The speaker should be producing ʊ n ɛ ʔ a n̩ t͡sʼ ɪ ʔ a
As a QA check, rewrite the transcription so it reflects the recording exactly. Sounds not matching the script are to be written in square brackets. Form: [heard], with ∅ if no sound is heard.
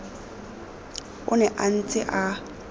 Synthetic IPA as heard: ʊ n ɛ ʔ a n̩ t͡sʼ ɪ ʔ a